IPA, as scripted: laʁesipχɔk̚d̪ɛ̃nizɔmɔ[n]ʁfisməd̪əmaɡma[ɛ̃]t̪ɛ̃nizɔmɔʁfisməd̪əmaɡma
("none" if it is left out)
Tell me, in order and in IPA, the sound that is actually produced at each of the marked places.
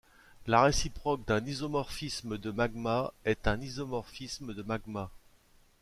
none, ɛ

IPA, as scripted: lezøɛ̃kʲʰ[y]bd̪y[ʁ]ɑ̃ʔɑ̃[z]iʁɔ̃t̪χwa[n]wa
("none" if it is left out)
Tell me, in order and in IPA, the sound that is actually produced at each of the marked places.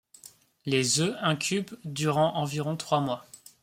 y, ʁ, v, m

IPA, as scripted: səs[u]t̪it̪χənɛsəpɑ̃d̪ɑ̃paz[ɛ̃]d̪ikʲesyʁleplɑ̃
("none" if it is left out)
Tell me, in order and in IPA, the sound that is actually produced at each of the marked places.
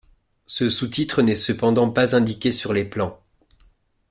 u, ɛ̃

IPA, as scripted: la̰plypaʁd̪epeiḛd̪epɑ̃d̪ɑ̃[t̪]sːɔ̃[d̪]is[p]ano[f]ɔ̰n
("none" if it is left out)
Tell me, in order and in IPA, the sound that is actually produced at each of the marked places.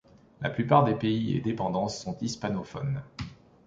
none, t̪, p, f

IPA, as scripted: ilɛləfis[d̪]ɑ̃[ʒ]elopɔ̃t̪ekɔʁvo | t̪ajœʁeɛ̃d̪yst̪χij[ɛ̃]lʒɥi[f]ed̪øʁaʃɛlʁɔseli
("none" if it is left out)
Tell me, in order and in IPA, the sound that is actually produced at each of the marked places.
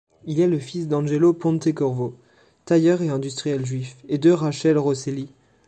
d̪, ʒ, ɛ, f

